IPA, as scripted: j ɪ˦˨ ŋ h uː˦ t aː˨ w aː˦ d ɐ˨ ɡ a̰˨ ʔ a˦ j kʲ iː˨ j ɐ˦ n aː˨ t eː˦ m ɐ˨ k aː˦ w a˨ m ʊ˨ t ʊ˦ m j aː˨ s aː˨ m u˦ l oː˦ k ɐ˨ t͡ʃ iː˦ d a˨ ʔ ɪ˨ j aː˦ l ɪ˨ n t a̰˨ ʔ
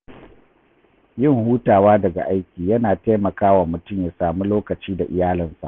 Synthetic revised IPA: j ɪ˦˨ ŋ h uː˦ t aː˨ w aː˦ d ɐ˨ ɡ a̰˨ ʔ a˦ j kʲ iː˨ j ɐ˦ n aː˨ t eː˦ m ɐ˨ k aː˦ w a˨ m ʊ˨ t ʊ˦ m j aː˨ s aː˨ m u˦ l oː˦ k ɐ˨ t͡ʃ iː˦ d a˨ ʔ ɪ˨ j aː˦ l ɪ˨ n s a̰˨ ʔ